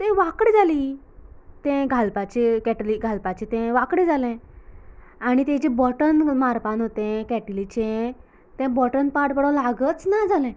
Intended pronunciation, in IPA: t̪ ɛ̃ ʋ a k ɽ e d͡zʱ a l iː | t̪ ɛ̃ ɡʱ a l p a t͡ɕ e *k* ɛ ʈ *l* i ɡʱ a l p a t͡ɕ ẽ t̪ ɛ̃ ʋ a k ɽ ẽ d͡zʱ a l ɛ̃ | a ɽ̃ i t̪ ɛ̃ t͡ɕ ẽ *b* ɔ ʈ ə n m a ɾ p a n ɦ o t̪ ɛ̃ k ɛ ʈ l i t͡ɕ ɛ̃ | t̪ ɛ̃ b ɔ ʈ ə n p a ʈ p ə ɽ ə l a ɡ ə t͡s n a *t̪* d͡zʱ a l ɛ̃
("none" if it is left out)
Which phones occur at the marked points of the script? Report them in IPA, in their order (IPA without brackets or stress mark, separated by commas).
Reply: k, l, b, none